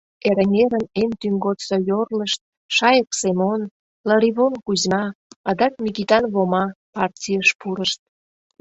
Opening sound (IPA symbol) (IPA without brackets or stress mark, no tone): e